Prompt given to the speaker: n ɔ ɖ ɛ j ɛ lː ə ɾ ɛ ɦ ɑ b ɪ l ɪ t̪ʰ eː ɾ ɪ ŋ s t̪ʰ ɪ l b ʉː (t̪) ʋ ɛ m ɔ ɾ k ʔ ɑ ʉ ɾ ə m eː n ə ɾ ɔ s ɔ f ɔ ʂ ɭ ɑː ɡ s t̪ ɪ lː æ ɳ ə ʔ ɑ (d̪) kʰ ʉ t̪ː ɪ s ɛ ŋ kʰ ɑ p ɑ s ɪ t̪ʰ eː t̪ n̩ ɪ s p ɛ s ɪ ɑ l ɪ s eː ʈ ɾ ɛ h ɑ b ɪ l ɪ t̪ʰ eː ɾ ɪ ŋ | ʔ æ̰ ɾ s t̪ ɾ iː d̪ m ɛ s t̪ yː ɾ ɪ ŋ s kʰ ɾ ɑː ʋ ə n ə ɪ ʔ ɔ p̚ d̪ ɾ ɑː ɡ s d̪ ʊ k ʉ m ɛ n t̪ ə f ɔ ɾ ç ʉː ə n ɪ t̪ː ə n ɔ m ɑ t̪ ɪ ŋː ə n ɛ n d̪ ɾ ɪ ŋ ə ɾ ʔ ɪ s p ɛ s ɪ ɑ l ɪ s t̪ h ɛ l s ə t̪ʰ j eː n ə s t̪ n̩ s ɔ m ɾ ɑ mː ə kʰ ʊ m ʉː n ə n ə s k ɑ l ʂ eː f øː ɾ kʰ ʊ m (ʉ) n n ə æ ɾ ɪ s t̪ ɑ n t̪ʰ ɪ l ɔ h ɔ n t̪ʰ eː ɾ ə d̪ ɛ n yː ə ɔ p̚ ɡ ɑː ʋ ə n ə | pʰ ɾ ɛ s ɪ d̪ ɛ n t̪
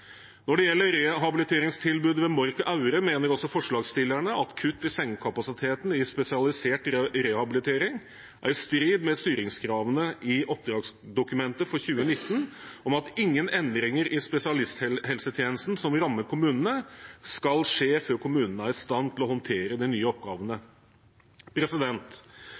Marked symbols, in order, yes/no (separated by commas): no, no, no